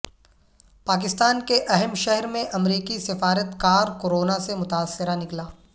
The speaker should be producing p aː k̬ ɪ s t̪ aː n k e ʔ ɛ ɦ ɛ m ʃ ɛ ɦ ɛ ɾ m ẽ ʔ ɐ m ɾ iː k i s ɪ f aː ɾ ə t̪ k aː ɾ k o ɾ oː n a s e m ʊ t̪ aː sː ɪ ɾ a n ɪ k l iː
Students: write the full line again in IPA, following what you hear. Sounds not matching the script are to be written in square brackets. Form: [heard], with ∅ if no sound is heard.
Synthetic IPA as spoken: p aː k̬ ɪ s t̪ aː n k e ʔ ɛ ɦ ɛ m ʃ ɛ ɦ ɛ ɾ m ẽ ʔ ɐ m ɾ iː k i s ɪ f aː ɾ ə t̪ k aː ɾ k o ɾ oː n a s e m ʊ t̪ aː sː ɪ ɾ a n ɪ k l [aː]